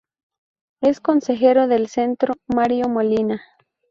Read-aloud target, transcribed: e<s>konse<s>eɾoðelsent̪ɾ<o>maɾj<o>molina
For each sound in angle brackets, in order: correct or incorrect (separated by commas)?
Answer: correct, incorrect, correct, correct